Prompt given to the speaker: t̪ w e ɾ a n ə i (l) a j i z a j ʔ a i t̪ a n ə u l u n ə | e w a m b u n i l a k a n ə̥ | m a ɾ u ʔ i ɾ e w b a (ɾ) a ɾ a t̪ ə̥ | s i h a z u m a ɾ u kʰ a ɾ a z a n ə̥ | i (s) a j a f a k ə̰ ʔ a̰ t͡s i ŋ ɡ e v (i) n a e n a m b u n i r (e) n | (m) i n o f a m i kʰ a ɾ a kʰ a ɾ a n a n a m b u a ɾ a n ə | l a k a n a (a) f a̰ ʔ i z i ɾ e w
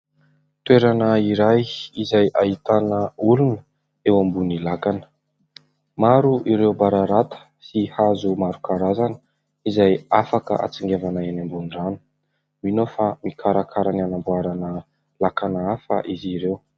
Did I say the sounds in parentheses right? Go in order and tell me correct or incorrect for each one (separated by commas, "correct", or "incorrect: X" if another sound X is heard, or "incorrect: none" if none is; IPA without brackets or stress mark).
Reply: incorrect: ɾ, correct, incorrect: z, incorrect: a, incorrect: a, correct, correct